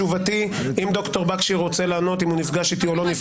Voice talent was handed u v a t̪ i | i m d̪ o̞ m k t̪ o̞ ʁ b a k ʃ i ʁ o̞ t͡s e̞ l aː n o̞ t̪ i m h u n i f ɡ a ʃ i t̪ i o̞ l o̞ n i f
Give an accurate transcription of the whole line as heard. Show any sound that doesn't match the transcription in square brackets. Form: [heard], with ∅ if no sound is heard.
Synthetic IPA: u v a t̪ i | i m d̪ o̞ [∅] k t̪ o̞ ʁ b a k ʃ i ʁ o̞ t͡s e̞ l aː n o̞ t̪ i m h u n i f ɡ a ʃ i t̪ i o̞ l o̞ n i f